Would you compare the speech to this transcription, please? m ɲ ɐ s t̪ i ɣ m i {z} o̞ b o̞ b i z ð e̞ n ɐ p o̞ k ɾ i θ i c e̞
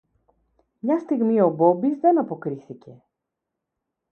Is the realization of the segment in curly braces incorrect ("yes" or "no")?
yes